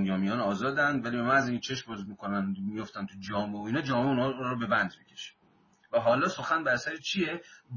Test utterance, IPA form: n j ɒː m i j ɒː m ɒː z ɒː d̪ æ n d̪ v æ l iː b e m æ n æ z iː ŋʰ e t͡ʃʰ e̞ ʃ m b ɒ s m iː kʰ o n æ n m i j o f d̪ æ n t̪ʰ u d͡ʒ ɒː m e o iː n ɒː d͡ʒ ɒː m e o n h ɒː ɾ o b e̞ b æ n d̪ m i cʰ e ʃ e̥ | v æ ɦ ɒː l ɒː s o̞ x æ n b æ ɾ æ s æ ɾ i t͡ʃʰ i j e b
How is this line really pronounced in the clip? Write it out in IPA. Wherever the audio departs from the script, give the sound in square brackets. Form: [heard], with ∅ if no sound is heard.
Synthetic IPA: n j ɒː m i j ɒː [n] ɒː z ɒː d̪ æ n d̪ v æ l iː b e m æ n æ z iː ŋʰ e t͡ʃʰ e̞ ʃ m b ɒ [z] m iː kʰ o n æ n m i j o f [t̪] æ n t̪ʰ u d͡ʒ ɒː m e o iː n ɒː d͡ʒ ɒː m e [u] n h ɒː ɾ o b e̞ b æ n d̪ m i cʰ e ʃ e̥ | v æ ɦ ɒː l ɒː s o̞ x æ n b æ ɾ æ s æ ɾ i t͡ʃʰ i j e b